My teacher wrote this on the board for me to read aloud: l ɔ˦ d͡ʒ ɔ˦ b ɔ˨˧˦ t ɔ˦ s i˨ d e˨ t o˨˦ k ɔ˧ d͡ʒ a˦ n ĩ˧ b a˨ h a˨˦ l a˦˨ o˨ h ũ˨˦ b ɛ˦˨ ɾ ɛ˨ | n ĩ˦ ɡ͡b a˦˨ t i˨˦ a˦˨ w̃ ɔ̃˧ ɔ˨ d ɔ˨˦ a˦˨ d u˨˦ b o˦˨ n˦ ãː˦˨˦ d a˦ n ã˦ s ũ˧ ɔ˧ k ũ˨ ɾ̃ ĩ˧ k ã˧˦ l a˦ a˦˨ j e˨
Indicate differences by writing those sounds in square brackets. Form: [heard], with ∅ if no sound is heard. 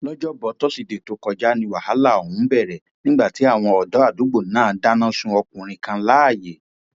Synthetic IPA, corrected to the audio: l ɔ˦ d͡ʒ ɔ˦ b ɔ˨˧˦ t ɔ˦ s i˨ d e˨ t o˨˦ k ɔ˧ d͡ʒ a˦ n ĩ˧ [w] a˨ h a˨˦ l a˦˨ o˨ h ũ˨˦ b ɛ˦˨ ɾ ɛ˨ | n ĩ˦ ɡ͡b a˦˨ t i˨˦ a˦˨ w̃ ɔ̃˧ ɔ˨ d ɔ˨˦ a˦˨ d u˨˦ [ɡ͡b] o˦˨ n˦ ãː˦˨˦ d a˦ n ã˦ s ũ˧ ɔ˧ k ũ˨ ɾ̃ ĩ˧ k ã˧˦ l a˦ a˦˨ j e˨